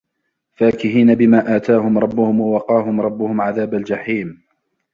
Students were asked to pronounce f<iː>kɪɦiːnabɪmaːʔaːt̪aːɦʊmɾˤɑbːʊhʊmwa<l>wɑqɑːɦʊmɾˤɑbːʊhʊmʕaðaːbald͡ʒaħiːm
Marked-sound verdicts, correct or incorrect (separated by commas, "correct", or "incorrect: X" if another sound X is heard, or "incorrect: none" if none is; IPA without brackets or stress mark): incorrect: aː, incorrect: none